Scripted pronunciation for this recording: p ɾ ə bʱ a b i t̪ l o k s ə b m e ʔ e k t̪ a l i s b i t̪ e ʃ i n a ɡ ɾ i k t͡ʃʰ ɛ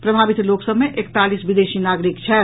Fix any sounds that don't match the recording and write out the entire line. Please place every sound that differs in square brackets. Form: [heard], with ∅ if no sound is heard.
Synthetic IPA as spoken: p ɾ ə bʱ a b i t̪ l o k s ə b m e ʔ e k t̪ a l i s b i [d̪] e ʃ i n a ɡ ɾ i k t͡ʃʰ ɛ